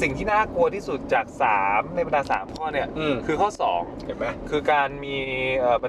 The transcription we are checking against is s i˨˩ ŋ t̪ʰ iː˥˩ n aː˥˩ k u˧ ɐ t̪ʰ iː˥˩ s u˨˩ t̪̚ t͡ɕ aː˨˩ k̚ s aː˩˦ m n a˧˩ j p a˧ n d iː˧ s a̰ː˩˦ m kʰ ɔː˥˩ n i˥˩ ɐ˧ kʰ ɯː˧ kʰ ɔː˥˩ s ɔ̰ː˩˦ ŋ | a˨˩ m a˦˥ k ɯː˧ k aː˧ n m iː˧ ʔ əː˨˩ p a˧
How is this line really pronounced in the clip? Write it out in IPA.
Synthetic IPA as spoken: s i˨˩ ŋ t̪ʰ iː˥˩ n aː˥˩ k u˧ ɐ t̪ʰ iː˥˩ s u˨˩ t̪̚ t͡ɕ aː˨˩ k̚ s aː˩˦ m n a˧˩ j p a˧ n d aː˧ s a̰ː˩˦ m kʰ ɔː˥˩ n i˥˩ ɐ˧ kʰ ɯː˧ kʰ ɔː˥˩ s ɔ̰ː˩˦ ŋ | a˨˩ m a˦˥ kʰ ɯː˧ k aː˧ n m iː˧ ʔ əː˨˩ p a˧